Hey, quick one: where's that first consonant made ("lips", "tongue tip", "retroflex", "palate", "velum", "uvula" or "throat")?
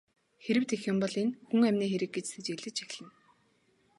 velum